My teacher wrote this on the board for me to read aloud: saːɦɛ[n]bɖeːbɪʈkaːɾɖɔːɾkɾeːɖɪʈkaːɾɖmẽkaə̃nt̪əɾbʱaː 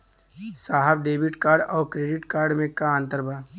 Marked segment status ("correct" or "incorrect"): incorrect